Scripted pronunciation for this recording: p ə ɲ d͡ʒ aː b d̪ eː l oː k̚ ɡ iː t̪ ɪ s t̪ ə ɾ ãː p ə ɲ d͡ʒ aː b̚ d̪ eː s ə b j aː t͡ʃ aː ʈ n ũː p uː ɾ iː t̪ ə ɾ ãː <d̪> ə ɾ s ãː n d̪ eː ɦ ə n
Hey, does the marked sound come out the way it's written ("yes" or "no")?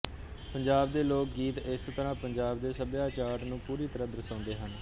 yes